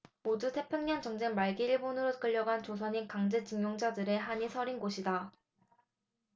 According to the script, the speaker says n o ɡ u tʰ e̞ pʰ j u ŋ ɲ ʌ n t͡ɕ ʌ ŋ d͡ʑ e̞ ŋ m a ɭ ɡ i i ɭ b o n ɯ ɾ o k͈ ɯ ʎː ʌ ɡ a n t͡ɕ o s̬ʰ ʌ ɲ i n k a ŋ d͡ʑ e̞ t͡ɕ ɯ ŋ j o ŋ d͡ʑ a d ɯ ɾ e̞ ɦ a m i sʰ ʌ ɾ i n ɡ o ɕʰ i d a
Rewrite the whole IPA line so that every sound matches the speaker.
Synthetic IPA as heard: m o d u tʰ e̞ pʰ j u ŋ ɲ ʌ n t͡ɕ ʌ ŋ d͡ʑ e̞ ŋ m a ɭ ɡ i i ɭ b o n ɯ ɾ o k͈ ɯ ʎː ʌ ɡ a n t͡ɕ o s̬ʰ ʌ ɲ i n k a ŋ d͡ʑ e̞ t͡ɕ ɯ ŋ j o ŋ d͡ʑ a d ɯ ɾ e̞ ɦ a ɲ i sʰ ʌ ɾ i n ɡ o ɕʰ i d a